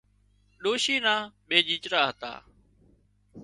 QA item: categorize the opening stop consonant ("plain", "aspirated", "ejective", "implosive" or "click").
implosive